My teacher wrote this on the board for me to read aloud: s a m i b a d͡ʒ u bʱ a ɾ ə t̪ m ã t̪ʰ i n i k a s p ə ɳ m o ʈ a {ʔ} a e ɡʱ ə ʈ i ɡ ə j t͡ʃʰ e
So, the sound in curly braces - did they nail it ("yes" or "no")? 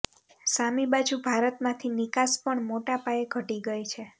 no